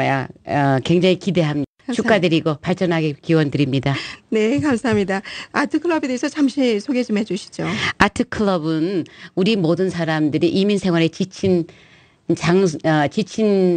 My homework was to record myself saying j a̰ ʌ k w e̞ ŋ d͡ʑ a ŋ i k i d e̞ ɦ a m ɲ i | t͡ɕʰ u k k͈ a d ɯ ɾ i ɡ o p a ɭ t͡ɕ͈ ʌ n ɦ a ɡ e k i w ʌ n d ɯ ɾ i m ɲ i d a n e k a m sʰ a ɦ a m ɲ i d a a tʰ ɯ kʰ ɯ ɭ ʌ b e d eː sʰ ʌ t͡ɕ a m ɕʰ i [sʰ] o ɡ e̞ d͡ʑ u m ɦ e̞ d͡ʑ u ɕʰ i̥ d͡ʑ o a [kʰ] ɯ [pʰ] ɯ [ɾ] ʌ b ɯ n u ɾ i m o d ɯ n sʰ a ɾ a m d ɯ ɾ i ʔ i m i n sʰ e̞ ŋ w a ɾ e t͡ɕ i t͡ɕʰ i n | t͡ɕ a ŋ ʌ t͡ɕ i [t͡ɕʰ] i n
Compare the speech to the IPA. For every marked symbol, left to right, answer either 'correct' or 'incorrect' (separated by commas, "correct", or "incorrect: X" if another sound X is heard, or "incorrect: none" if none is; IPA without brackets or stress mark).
correct, incorrect: tʰ, incorrect: kʰ, incorrect: ɭ, correct